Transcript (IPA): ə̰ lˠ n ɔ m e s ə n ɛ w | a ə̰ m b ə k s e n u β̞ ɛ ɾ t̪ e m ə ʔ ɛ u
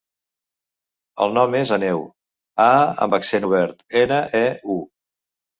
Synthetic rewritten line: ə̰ lˠ n ɔ m e z ə n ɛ w | a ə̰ m b ə k s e n u β̞ ɛ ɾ t̪ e n ə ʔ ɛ u